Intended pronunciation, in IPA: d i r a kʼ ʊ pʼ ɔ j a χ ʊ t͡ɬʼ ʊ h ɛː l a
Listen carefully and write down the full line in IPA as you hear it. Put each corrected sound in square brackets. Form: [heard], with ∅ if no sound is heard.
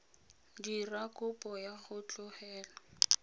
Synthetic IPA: d i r a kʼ ʊ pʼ ɔ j a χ ʊ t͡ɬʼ ʊ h ɛː l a